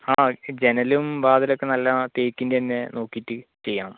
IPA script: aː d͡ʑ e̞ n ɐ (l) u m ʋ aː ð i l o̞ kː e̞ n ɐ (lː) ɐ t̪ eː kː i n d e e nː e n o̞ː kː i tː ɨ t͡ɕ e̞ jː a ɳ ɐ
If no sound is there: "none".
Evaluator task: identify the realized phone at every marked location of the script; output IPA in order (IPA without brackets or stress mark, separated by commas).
l, lː